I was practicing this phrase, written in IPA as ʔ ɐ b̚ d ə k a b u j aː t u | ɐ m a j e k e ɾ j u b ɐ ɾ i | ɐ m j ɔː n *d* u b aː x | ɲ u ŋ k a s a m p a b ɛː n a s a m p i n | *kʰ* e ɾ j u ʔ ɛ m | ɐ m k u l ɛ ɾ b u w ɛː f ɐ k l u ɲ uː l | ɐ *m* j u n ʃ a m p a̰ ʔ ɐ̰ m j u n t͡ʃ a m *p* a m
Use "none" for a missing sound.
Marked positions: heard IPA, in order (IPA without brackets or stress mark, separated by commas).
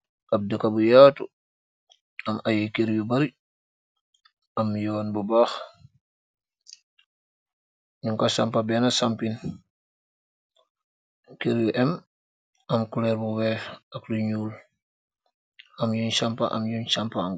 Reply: b, k, m, p